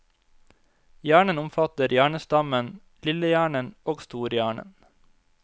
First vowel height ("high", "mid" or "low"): low